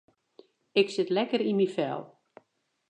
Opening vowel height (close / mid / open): close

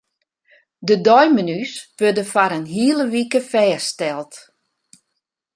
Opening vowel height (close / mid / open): mid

